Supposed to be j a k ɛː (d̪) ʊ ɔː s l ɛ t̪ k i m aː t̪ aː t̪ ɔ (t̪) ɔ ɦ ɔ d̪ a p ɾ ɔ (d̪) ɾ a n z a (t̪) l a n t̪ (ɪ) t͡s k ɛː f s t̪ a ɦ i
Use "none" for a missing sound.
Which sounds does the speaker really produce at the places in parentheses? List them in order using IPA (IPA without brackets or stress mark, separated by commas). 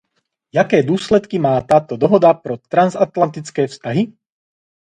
d̪, d̪, t̪, t̪, i